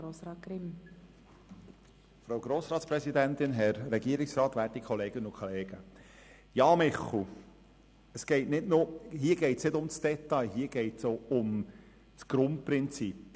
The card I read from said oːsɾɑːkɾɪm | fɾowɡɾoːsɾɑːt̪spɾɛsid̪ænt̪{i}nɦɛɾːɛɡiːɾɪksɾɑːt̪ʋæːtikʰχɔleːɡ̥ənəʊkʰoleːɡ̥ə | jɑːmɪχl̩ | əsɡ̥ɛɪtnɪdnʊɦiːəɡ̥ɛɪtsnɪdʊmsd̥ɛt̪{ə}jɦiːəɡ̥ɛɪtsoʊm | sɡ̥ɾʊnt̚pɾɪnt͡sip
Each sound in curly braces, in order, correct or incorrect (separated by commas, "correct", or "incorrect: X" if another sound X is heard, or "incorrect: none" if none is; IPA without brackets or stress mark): incorrect: ɪ, incorrect: ɑ